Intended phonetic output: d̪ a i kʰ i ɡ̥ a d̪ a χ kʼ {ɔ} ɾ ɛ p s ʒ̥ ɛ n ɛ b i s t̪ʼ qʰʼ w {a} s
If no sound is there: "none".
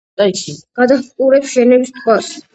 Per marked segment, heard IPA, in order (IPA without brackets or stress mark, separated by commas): u, a